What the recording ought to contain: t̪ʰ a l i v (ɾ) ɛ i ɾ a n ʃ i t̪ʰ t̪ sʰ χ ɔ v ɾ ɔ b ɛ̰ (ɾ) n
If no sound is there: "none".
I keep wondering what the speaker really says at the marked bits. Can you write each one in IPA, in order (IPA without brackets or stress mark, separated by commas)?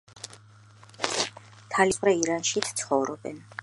ɾ, none